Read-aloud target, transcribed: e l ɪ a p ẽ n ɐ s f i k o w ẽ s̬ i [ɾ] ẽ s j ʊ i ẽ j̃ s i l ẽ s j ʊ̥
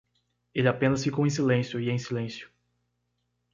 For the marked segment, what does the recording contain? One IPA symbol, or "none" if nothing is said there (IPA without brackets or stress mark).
l